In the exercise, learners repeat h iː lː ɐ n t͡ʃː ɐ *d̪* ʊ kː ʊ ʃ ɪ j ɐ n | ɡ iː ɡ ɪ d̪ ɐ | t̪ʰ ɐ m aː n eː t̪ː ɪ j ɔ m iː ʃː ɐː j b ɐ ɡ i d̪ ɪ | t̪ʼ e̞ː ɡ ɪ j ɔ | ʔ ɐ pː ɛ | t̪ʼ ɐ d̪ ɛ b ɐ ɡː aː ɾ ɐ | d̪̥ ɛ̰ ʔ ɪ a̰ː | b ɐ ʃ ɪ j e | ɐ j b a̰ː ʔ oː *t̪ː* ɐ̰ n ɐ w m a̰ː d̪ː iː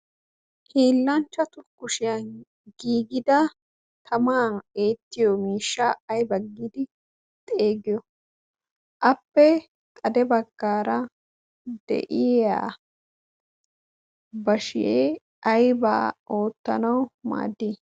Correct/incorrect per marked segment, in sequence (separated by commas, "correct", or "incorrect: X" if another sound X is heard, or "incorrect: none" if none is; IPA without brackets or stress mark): incorrect: t̪, correct